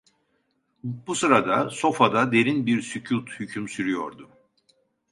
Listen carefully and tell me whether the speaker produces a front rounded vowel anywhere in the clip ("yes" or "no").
yes